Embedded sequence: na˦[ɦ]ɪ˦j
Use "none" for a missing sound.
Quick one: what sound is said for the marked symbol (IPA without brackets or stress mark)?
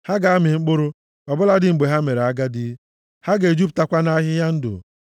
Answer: ɦ